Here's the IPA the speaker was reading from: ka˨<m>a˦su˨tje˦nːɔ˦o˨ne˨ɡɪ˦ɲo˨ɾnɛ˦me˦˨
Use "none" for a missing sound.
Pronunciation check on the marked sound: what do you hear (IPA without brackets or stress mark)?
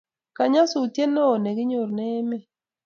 ɲ